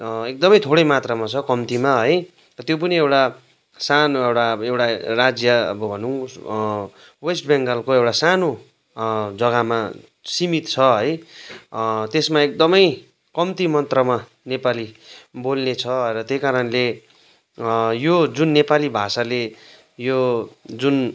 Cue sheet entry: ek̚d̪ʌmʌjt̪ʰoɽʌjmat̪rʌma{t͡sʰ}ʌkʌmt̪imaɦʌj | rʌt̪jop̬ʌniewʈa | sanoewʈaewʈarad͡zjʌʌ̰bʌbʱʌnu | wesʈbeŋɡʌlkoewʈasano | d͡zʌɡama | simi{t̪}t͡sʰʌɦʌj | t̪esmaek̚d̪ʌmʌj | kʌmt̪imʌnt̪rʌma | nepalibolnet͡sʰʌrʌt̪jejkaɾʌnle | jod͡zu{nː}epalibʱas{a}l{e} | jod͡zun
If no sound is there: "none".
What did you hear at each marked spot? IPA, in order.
t͡sʰ, t̪, nː, a, e

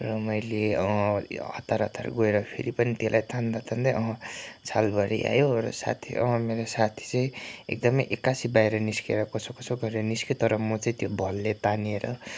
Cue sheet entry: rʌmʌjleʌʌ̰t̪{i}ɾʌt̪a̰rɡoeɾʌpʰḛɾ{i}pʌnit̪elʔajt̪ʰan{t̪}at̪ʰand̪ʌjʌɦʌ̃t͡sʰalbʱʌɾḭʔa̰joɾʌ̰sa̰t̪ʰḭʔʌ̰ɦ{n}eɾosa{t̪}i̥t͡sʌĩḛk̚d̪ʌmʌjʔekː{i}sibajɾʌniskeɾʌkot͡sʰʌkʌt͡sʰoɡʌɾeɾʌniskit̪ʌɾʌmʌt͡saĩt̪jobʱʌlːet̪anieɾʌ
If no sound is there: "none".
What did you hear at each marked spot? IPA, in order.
a, i, d̪, m, t̪ʰ, a

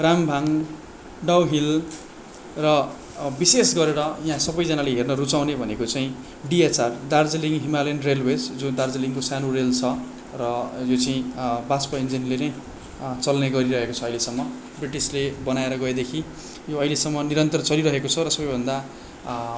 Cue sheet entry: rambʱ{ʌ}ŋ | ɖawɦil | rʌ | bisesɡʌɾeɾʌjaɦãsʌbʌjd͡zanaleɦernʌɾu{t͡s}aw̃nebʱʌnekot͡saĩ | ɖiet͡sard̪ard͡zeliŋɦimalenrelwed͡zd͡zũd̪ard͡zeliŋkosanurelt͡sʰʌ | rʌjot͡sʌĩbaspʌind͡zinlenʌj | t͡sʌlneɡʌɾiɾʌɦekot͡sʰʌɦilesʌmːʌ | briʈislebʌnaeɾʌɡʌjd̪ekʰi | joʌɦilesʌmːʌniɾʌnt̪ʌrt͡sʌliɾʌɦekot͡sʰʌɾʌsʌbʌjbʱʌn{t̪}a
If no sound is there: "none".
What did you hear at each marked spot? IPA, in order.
a, t͡s, d̪

